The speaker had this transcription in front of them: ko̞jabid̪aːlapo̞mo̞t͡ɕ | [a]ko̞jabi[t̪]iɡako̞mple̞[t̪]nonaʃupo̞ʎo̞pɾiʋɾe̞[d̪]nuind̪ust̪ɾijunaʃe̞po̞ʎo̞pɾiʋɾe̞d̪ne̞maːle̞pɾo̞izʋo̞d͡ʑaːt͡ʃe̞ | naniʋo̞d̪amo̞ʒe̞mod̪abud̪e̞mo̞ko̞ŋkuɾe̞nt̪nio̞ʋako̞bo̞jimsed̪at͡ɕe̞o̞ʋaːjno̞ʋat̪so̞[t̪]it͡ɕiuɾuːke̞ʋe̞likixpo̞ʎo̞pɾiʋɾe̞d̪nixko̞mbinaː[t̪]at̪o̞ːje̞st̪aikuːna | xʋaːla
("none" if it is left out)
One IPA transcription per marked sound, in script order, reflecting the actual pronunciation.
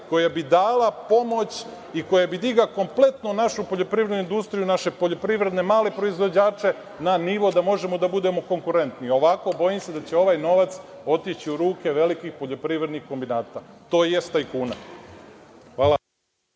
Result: i, d̪, t̪, d̪, t̪, t̪

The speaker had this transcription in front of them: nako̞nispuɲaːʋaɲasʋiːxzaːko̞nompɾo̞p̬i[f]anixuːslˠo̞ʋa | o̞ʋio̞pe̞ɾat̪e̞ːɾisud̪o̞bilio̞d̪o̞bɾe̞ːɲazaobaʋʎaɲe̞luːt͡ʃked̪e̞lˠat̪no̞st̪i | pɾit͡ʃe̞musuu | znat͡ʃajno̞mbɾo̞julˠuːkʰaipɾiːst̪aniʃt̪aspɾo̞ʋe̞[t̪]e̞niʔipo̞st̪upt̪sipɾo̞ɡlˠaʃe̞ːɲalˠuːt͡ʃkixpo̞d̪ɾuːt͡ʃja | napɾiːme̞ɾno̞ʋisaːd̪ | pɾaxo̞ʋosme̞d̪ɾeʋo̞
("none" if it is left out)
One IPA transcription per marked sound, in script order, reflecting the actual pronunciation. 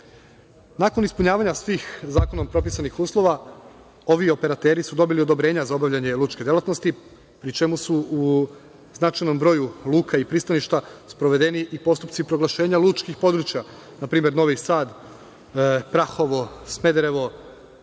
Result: s, d̪

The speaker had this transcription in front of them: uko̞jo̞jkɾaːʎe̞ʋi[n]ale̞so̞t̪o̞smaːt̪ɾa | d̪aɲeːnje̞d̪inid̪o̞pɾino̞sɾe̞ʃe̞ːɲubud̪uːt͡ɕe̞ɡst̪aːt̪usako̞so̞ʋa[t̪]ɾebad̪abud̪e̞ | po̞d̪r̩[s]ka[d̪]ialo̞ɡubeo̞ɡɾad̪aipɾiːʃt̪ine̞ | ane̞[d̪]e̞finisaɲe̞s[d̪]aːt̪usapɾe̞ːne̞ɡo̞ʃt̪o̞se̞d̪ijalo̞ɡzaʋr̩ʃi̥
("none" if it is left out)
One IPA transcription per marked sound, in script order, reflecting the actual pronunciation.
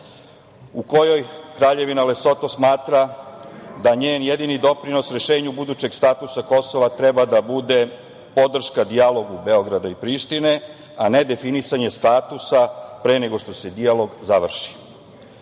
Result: n, t̪, ʃ, d̪, d̪, t̪

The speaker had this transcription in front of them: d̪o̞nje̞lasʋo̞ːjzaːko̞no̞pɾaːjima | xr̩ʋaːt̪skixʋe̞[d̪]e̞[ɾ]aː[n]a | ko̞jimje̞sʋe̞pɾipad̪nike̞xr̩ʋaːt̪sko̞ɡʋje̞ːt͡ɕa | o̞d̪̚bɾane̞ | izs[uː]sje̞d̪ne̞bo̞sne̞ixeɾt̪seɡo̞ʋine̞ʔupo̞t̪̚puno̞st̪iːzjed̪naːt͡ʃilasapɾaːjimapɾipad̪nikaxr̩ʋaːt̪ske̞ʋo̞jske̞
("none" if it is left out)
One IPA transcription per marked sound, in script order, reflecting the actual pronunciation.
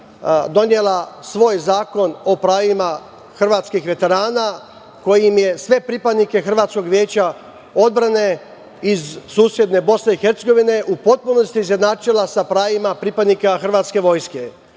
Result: t̪, ɾ, n, uː

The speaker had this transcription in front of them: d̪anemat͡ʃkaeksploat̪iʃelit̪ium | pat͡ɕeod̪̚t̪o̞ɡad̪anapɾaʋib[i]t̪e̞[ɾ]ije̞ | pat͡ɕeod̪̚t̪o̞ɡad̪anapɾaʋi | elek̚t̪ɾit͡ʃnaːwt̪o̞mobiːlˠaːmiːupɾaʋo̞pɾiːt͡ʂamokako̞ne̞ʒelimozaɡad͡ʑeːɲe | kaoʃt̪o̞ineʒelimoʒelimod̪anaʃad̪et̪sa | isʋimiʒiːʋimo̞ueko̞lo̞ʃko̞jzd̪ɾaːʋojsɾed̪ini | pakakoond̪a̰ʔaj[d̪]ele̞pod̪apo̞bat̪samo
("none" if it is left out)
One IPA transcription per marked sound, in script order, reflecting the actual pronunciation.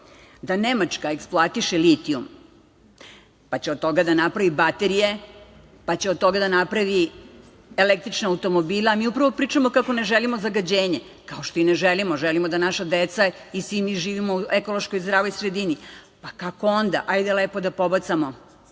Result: a, ɾ, d̪

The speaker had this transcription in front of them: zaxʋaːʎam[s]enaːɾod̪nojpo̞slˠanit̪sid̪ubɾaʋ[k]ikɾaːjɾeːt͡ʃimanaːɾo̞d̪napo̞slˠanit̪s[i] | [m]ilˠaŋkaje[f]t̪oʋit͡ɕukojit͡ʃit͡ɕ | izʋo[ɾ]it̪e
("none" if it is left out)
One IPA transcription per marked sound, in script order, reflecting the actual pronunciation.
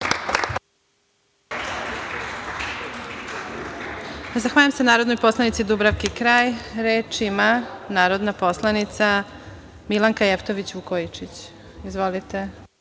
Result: s, k, a, m, f, l

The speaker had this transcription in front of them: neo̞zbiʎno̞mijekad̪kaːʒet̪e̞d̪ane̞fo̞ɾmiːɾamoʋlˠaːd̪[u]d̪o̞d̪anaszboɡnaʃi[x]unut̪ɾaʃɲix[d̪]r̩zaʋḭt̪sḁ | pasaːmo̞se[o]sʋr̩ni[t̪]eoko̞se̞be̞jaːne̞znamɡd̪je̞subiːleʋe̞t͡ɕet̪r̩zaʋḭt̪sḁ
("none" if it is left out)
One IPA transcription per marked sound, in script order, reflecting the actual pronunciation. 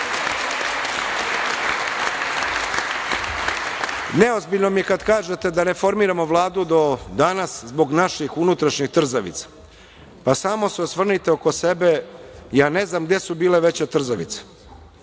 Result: u, x, t̪, o, t̪

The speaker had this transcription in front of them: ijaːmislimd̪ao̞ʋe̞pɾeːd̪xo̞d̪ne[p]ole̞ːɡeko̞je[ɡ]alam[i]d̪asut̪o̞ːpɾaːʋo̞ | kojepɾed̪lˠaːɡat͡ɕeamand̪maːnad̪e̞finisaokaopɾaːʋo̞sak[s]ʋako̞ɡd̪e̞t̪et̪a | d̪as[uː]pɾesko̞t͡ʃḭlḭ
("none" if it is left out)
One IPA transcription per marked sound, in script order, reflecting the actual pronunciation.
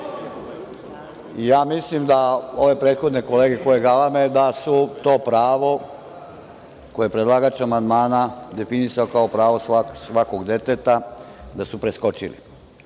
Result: k, ɡ, e, s, u

